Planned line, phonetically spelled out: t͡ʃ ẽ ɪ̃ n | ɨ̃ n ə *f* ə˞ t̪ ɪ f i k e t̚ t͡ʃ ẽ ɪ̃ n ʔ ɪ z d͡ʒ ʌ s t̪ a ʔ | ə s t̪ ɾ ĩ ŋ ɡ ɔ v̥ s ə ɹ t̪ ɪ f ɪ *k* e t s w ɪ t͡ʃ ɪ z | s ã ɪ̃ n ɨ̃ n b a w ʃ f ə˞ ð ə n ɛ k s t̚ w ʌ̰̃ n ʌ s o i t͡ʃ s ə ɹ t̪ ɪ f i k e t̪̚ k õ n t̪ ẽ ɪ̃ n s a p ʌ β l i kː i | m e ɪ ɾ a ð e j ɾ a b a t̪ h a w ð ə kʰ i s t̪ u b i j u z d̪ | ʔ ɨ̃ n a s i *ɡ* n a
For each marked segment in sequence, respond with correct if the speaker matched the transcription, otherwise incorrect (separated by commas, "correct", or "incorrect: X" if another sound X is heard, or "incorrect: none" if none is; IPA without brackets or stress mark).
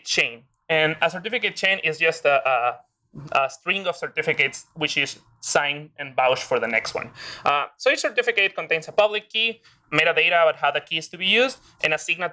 incorrect: s, correct, correct